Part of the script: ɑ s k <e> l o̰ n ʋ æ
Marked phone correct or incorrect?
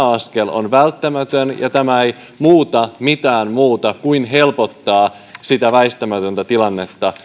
correct